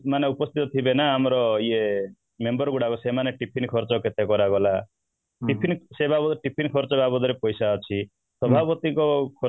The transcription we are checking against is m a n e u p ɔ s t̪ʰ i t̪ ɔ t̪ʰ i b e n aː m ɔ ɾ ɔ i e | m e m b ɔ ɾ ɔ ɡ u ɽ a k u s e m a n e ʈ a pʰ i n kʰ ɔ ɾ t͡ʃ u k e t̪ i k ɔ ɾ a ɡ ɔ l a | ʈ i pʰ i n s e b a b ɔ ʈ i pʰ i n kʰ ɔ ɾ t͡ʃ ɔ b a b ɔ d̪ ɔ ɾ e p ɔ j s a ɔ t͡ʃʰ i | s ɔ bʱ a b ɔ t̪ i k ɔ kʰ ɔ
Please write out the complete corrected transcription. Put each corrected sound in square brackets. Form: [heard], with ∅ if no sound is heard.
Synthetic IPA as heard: m a n e u p ɔ s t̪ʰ i t̪ ɔ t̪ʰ i b e n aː m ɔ ɾ ɔ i e | m e m b ɔ ɾ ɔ ɡ u ɽ a k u s e m a n e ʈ [i] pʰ i n kʰ ɔ ɾ t͡ʃ [ɔ] k e t̪ [e] k ɔ ɾ a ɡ ɔ l a | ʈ i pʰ i n s e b a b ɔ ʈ i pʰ i n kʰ ɔ ɾ t͡ʃ ɔ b a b ɔ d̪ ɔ ɾ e p ɔ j s a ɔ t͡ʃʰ i | s ɔ bʱ a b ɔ t̪ i k ɔ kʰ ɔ